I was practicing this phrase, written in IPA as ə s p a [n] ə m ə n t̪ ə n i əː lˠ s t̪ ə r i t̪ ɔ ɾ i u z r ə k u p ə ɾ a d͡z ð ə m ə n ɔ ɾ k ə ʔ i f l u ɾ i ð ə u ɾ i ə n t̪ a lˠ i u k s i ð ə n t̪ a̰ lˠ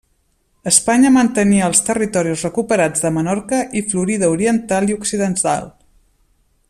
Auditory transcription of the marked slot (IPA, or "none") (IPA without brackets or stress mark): ɲ